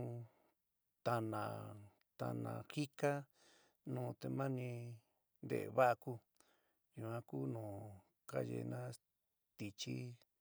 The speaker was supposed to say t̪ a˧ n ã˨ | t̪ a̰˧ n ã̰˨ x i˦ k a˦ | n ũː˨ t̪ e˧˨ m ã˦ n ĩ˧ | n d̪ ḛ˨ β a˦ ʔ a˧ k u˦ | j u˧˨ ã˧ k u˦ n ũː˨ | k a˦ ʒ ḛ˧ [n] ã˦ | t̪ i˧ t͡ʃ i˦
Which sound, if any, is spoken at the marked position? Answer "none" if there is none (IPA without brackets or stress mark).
n